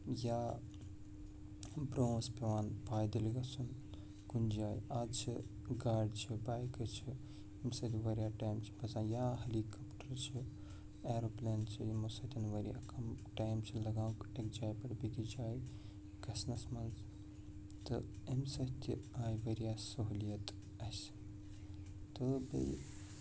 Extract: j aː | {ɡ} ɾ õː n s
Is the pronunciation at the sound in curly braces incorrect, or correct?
incorrect